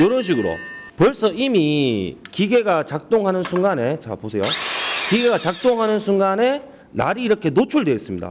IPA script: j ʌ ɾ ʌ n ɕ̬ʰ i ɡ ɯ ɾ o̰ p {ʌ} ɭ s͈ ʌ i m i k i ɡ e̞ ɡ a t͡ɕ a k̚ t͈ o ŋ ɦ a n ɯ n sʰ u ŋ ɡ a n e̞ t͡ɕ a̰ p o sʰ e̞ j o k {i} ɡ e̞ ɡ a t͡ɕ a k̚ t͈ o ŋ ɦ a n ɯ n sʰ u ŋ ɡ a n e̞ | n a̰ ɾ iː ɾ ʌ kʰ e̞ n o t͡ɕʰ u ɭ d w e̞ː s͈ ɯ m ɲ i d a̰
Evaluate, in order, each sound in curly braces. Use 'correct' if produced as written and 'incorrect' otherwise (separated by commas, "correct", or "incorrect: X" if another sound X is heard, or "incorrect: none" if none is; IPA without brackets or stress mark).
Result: correct, correct